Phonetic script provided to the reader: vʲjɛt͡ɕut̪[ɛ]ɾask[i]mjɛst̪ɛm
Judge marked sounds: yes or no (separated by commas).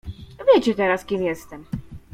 yes, yes